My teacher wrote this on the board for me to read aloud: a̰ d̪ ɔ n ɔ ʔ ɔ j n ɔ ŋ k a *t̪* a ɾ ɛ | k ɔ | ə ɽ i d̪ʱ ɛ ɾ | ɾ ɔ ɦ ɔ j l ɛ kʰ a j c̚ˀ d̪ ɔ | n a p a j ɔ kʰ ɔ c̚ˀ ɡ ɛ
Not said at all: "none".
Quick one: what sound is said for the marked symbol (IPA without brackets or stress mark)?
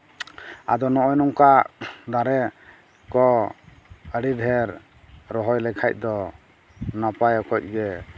d̪